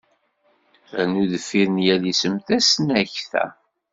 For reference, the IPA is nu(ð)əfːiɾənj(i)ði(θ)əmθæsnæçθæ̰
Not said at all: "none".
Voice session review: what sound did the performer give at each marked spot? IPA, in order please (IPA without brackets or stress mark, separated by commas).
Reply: ð, æ, s